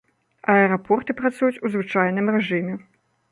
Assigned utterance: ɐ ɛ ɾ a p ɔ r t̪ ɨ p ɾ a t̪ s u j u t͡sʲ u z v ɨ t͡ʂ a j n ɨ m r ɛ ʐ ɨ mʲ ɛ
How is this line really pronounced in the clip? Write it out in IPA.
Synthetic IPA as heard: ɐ ɛ ɾ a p ɔ r t̪ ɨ p ɾ a t̪ s u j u t͡sʲ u z v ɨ t͡ʂ a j n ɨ m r ɛ ʐ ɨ mʲ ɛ